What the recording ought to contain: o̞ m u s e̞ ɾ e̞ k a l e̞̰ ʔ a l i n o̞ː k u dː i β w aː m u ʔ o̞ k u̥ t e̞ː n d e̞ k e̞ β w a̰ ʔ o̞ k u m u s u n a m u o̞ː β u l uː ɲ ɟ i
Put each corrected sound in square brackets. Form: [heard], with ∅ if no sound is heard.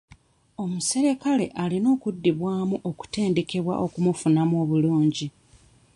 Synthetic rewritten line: o̞ m u s e̞ ɾ e̞ k a l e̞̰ ʔ a l i n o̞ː k u dː i β w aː m u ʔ o̞ k u̥ t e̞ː n d e̞ k e̞ β w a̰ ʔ o̞ k u m u [f] u n a m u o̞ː β u l uː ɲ ɟ i